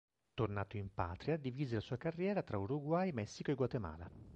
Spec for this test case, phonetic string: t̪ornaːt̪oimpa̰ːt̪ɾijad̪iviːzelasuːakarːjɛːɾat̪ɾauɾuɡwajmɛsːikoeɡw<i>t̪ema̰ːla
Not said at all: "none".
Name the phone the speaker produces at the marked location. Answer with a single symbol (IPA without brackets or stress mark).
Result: a